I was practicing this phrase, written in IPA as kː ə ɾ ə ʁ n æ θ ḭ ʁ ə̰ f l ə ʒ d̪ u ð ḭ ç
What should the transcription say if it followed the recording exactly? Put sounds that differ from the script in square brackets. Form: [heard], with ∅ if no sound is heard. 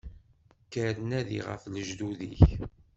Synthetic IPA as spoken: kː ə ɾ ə [∅] n æ [ð] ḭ ʁ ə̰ f l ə ʒ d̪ u ð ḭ ç